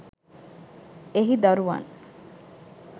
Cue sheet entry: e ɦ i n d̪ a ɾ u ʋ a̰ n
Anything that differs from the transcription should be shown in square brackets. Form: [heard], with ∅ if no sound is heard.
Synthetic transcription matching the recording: e ɦ i [∅] d̪ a ɾ u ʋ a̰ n